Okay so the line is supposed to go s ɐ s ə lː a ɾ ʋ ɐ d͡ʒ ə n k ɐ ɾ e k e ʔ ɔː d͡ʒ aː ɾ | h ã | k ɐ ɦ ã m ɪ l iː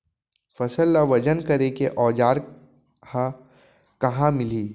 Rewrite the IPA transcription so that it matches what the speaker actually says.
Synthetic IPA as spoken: f ɐ s ə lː a ʋ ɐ d͡ʒ ə n k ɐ ɾ e k e ʔ ɔː d͡ʒ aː ɾ | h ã | k ɐ ɦ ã m ɪ l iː